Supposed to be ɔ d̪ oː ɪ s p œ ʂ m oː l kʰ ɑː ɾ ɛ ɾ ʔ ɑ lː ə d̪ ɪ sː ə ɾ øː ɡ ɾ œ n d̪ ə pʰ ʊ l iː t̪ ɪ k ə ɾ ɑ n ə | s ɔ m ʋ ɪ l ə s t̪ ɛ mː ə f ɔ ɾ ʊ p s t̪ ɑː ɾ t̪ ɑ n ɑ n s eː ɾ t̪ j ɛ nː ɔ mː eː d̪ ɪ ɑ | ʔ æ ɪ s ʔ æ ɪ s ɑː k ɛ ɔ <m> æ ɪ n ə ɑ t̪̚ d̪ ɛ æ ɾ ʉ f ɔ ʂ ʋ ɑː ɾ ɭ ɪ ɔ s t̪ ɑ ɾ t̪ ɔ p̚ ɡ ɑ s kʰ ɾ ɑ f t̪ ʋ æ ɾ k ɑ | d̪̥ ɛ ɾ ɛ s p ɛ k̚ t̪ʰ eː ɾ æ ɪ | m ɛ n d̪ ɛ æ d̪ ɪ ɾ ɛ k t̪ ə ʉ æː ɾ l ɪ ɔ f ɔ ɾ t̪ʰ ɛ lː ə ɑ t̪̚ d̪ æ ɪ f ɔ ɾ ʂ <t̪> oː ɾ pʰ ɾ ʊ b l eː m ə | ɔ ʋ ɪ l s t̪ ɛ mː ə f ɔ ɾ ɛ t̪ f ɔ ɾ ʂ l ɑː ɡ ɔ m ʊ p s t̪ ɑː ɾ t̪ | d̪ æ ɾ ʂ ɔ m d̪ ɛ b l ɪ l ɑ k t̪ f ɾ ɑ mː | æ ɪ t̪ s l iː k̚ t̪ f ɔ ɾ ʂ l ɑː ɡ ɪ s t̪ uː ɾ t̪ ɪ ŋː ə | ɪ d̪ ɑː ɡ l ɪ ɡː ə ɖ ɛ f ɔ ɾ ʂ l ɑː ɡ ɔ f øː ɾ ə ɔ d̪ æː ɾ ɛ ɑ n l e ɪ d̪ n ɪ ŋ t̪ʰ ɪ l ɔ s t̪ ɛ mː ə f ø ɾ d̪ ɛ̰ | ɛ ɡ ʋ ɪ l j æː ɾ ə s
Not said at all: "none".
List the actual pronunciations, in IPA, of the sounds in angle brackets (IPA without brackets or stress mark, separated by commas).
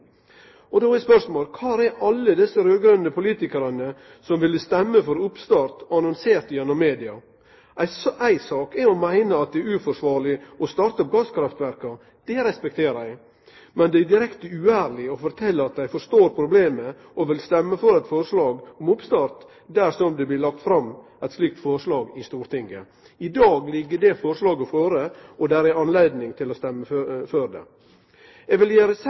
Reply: m, t̪